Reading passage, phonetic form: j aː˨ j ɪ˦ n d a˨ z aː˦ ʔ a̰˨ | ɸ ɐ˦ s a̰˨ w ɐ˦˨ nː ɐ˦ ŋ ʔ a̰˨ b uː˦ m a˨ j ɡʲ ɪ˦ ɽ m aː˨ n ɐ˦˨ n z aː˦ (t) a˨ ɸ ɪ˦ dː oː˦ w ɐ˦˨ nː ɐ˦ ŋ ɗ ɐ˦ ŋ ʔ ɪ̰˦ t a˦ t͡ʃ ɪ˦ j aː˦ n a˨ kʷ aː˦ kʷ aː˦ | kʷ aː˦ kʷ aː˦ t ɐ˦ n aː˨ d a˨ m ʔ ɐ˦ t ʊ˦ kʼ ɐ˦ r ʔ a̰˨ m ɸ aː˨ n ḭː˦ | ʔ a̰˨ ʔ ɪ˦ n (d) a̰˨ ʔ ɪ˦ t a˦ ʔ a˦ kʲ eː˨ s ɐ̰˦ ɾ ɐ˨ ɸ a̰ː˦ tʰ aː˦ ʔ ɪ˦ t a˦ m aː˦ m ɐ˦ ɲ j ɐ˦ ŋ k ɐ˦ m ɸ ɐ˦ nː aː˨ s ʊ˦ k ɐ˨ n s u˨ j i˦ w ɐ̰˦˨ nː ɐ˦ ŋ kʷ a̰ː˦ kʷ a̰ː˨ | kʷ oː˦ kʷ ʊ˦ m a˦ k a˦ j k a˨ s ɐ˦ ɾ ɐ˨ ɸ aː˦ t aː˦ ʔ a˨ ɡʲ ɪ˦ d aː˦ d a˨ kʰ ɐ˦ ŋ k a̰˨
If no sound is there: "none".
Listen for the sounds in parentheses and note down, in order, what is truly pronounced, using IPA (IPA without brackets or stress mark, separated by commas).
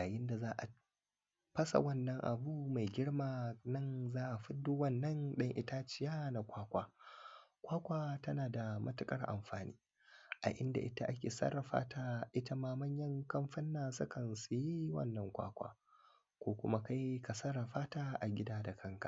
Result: ʔ, d